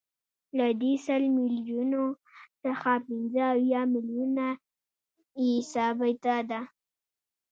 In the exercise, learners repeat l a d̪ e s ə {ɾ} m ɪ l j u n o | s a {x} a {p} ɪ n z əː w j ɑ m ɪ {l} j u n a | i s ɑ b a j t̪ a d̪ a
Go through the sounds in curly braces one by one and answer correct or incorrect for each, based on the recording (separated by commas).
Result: incorrect, correct, correct, correct